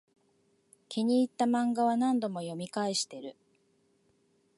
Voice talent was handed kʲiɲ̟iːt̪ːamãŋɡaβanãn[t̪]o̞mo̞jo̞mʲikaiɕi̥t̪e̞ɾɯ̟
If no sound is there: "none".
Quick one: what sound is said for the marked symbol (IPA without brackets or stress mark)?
d̪